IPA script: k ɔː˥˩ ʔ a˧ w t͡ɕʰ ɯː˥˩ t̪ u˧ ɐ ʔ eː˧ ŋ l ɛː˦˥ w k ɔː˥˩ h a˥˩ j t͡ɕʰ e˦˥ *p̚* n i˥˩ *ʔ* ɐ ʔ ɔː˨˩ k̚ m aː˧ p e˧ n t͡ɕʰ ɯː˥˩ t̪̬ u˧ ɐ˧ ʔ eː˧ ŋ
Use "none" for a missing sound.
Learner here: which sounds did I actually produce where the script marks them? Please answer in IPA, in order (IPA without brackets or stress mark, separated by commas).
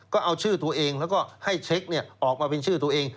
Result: k̚, none